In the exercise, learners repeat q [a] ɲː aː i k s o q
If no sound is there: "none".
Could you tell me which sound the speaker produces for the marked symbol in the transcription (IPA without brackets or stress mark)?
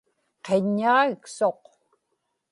e